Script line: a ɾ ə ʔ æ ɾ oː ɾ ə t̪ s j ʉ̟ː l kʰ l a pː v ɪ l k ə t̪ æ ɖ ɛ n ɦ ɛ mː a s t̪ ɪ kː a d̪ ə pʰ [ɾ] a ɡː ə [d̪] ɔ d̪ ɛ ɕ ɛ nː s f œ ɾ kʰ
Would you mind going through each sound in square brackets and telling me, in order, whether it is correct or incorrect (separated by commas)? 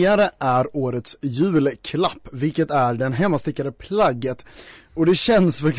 incorrect, incorrect